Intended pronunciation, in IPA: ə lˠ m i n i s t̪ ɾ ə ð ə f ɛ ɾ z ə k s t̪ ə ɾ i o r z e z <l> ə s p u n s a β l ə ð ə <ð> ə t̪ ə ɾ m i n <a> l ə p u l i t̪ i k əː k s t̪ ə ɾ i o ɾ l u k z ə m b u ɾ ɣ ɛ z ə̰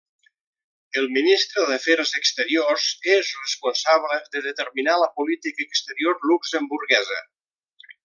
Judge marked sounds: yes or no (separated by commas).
no, yes, yes